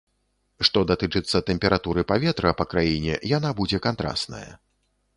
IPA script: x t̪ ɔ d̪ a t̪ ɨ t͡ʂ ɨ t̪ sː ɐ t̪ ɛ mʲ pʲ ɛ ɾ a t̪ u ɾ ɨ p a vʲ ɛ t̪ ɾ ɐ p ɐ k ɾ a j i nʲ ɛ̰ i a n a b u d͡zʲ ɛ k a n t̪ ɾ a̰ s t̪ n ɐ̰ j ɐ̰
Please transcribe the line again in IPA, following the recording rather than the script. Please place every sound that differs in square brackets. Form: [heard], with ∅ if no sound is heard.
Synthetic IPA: [ʂ] t̪ ɔ d̪ a t̪ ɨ t͡ʂ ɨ t̪ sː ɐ t̪ ɛ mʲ pʲ ɛ ɾ a t̪ u ɾ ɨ p a vʲ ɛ t̪ ɾ ɐ p ɐ k ɾ a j i nʲ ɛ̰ [j] a n a b u d͡zʲ ɛ k a n t̪ ɾ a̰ s t̪ n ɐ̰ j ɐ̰